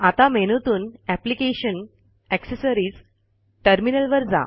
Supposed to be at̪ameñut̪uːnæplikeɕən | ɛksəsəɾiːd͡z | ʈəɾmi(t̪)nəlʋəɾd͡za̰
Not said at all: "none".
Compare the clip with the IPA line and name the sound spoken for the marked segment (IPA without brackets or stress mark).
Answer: none